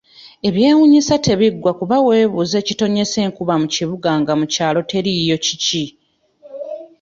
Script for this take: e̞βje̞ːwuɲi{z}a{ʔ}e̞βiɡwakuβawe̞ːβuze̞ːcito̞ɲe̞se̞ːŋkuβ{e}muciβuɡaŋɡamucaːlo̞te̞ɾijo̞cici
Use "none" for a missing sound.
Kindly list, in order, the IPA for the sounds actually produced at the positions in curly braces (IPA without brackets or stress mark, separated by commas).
s, t, a